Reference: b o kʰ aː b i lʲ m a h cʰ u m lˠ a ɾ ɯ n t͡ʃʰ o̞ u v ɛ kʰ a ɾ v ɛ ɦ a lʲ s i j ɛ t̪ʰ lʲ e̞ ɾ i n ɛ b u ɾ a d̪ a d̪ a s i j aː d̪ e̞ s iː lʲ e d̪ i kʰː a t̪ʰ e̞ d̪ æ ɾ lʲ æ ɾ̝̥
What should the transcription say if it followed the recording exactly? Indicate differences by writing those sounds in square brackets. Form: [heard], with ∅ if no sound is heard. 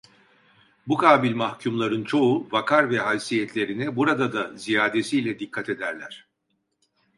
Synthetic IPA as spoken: b [u] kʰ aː b i lʲ m a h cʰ u m lˠ a ɾ ɯ n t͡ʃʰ o̞ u v [a] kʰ a ɾ v ɛ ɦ a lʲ s i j ɛ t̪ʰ lʲ e̞ ɾ i n ɛ b u ɾ a d̪ a d̪ a [z] i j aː d̪ e̞ s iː lʲ [ɛ] d̪ i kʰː a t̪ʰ e̞ d̪ æ ɾ lʲ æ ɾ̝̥